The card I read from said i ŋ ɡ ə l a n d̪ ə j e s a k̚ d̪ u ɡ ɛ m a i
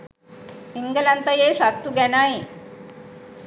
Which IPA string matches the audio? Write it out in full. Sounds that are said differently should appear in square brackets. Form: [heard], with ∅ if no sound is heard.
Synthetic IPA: i ŋ ɡ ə l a n [t̪] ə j e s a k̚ [t̪] u ɡ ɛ [n] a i

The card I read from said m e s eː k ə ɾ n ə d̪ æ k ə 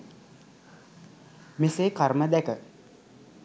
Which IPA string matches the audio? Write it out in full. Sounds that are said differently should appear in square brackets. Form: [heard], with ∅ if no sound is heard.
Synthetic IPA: m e s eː k [a] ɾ [m] ə d̪ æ k ə

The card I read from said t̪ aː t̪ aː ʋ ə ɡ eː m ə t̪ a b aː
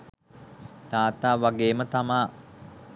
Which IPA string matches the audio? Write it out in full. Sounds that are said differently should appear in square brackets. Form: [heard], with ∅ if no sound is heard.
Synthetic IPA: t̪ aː t̪ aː ʋ [a] ɡ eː m ə t̪ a [m] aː

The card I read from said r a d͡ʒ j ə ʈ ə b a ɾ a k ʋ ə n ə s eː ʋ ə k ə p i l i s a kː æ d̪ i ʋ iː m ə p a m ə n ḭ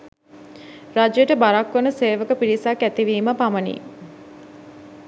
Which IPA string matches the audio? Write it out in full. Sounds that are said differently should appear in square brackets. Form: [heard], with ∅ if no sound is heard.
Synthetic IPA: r a d͡ʒ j ə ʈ ə b a ɾ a k ʋ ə n ə s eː ʋ ə k ə p i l i s a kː æ [t̪] i ʋ iː m ə p a m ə n ḭ

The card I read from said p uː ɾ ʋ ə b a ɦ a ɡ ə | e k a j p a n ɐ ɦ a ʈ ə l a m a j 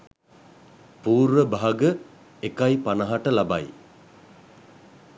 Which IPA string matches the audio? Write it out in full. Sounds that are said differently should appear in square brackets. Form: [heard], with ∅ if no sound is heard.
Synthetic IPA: p uː ɾ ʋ ə b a ɦ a ɡ ə | e k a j p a n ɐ ɦ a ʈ ə l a [b] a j

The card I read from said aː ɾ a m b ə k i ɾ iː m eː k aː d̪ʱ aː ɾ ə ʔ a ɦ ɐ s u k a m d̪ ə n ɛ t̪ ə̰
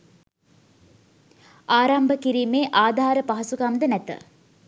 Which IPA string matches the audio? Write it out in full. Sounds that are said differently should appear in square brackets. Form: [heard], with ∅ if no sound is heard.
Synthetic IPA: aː ɾ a m b ə k i ɾ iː m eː [ʔ] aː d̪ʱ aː ɾ ə [p] a ɦ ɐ s u k a m d̪ ə n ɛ t̪ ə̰

